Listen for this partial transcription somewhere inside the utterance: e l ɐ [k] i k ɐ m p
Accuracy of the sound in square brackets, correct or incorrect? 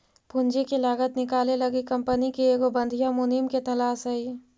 incorrect